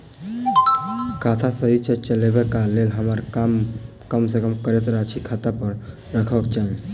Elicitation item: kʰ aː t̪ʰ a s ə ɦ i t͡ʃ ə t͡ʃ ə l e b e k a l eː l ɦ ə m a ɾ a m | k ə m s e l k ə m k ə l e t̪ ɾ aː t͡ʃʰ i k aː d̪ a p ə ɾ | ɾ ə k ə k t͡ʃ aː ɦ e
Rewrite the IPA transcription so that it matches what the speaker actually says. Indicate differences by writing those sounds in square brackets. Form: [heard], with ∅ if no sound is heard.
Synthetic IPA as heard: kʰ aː t̪ʰ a s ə ɦ i t͡ʃ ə t͡ʃ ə l e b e k a l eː l ɦ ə m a ɾ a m | k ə m s e [∅] k ə m k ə [ɾ] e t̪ ɾ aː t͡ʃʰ i [kʰ] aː [t̪] a p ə ɾ | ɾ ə [kʰ] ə k t͡ʃ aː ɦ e

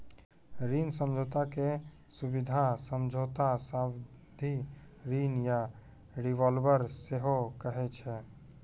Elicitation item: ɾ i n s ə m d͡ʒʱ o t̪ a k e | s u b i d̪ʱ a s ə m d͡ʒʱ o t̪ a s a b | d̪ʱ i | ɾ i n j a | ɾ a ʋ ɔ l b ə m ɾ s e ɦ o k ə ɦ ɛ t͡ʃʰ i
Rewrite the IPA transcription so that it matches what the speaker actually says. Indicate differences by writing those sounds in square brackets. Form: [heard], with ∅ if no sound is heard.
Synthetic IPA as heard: ɾ i n s ə m d͡ʒʱ o t̪ a k e | s u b i d̪ʱ a s ə m d͡ʒʱ o t̪ a s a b | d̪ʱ i | ɾ i n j a | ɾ [i] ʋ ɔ l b ə [∅] ɾ s e ɦ o k ə ɦ ɛ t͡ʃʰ [ɛ]

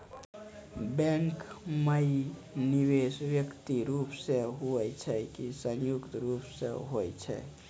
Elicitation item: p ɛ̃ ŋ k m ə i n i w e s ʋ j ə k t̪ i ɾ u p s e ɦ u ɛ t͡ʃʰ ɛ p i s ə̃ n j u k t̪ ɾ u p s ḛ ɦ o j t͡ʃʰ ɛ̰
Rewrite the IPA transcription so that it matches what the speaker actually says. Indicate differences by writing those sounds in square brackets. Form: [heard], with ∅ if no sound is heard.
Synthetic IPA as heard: [b] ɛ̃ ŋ k m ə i n i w e s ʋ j ə k t̪ i ɾ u p s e ɦ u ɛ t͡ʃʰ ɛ [k] i s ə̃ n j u k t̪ ɾ u p s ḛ ɦ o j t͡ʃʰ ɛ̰

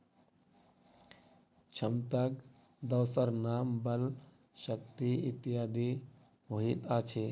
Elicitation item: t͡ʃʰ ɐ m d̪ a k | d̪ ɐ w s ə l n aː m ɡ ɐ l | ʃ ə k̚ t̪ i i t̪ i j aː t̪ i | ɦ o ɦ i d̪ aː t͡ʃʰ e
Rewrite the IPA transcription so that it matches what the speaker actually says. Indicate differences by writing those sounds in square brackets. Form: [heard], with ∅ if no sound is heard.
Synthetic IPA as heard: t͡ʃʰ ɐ m [t̪] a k | d̪ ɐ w s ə [ɾ] n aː m [b] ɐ l | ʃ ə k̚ t̪ i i t̪ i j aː [d̪] i | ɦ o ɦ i [t̪] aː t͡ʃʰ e

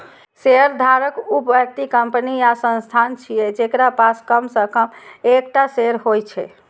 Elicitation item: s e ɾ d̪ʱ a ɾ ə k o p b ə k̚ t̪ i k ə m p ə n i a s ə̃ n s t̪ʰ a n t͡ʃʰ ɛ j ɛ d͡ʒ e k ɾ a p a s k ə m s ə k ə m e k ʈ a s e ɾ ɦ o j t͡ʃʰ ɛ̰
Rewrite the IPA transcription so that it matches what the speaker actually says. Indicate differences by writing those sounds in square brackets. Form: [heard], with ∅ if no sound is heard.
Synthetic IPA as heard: s e ɾ d̪ʱ a ɾ ə k [u] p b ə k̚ t̪ i k ə m p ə n i a s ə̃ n s t̪ʰ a n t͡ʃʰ [i] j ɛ d͡ʒ e k ɾ a p a s k ə m s ə k ə m e k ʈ a s e ɾ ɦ o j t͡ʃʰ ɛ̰

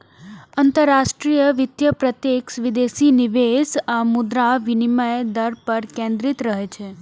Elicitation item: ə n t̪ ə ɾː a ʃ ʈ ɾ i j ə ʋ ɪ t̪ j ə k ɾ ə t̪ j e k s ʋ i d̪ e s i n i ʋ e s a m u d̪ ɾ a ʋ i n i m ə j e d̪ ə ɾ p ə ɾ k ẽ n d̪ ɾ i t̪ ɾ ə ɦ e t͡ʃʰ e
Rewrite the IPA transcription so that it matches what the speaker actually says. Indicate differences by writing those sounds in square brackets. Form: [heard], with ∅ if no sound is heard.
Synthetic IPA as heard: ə n t̪ ə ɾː a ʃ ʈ ɾ i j ə ʋ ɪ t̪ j ə [p] ɾ ə t̪ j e k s ʋ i d̪ e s i n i ʋ e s a m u d̪ ɾ a ʋ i n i m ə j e d̪ ə ɾ p ə ɾ k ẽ n d̪ ɾ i t̪ ɾ ə ɦ e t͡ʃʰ e

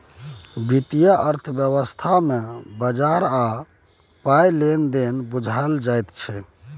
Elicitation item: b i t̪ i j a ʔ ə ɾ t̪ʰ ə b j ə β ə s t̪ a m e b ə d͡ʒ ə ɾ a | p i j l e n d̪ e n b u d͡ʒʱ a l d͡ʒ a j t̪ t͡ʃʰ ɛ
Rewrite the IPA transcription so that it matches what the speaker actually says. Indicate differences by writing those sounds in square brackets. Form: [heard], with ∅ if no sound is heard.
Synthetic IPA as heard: b i t̪ i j a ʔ ə ɾ t̪ʰ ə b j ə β ə s [t̪ʰ] a m e b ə d͡ʒ [a] ɾ a | p [a] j l e n d̪ e n b u d͡ʒʱ a l d͡ʒ a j t̪ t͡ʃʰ ɛ

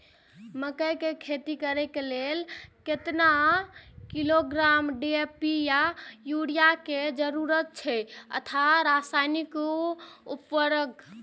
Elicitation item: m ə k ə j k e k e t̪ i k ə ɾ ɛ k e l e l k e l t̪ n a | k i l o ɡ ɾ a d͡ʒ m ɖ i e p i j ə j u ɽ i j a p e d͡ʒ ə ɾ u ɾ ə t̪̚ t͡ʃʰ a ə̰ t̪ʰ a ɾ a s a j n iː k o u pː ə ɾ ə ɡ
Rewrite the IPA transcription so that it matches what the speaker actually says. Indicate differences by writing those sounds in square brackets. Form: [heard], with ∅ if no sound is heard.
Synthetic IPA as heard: m ə k ə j k e [kʰ] e t̪ i k ə ɾ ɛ k e l e l k e [∅] t̪ n a | k i l o ɡ ɾ a [∅] m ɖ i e p i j [a] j u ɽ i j a [k] e d͡ʒ ə ɾ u ɾ ə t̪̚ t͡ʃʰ [ɛ] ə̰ t̪ʰ a ɾ a s a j n [i] k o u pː ə ɾ ə ɡ

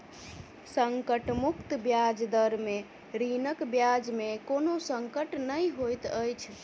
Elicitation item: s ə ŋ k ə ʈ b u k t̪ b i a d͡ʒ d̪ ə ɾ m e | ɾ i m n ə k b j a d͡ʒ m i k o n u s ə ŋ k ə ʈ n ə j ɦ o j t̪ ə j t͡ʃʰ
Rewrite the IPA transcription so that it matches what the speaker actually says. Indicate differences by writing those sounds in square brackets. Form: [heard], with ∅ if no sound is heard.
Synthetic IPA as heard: s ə ŋ k ə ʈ [m] u k t̪ b [j] a d͡ʒ d̪ ə ɾ m e | ɾ i [∅] n ə k b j a d͡ʒ m [e] k o n [o] s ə ŋ k ə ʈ n ə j ɦ o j t̪ ə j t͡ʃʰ

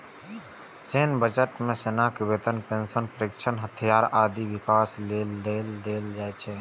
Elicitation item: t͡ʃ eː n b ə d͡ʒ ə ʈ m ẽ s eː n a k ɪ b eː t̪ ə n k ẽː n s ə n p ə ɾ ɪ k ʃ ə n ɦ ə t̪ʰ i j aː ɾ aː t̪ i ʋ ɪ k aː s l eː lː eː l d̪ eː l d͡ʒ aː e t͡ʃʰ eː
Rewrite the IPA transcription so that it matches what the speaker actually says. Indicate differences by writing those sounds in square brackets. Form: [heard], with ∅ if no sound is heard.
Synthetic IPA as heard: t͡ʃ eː n b ə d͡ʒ ə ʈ m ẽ s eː n a k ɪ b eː t̪ ə n [p] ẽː n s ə n p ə ɾ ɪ k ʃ ə n ɦ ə t̪ʰ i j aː ɾ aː [d̪] i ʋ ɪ k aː s l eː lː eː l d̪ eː l d͡ʒ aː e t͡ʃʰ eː

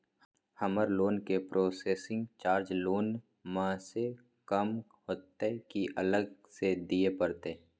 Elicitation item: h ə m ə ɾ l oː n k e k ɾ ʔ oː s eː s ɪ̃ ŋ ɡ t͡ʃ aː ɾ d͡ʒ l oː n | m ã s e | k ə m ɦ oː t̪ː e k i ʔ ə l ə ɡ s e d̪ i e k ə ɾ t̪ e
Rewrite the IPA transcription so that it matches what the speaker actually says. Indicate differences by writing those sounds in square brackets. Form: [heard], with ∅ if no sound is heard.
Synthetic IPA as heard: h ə m ə ɾ l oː n k e [p] ɾ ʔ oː s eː s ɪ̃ ŋ ɡ t͡ʃ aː ɾ d͡ʒ l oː n | m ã s e | k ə m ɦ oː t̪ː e k i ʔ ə l ə ɡ s e d̪ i e [p] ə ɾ t̪ e

